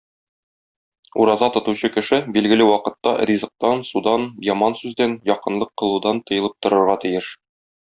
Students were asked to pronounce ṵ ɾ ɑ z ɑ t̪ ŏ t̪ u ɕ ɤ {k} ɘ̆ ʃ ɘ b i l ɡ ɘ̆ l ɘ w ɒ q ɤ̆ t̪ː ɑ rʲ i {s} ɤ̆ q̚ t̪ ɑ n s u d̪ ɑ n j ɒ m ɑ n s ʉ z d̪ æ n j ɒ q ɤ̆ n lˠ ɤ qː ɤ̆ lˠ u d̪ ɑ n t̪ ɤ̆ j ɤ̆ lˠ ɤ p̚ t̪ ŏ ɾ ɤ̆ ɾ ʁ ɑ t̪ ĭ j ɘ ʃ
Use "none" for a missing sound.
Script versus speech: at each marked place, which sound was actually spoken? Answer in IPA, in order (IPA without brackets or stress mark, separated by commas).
k, z